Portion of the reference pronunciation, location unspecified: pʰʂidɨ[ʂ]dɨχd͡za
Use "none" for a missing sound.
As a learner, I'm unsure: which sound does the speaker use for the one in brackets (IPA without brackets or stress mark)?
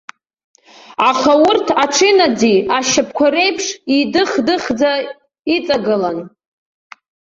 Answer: χ